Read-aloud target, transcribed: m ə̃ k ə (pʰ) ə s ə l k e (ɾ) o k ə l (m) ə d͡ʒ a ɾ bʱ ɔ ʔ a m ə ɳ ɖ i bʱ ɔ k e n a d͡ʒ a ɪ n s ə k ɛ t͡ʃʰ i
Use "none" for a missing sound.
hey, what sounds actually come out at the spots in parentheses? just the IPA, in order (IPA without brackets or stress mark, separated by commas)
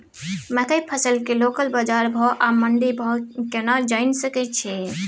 pʰ, l, b